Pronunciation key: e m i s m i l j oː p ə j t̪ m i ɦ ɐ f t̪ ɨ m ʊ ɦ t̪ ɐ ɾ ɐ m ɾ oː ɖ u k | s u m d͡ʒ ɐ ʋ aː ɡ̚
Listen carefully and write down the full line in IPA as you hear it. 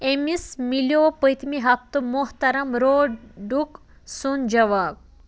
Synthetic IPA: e m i s m i l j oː p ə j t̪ m i ɦ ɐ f t̪ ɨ m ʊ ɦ t̪ ɐ ɾ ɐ m ɾ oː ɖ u k | s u n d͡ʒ ɐ ʋ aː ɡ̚